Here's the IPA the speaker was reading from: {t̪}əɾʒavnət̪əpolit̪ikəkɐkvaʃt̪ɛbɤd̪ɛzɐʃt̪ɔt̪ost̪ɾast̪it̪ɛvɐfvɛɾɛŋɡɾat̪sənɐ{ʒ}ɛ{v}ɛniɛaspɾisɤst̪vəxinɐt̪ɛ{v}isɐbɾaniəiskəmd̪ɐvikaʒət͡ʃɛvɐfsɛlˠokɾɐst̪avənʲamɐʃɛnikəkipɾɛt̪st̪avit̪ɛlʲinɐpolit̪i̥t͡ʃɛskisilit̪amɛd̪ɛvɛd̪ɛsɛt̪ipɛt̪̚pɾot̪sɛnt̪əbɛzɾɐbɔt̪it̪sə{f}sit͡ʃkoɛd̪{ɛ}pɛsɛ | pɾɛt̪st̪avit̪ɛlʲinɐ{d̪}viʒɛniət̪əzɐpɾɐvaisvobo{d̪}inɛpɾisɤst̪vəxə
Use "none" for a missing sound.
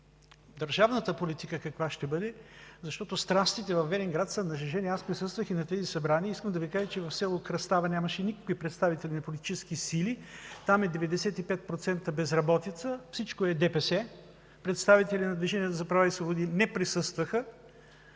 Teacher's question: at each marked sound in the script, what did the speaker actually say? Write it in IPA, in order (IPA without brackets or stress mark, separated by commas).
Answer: d̪, ʒ, ʒ, z, f, ɛ, d̪, d̪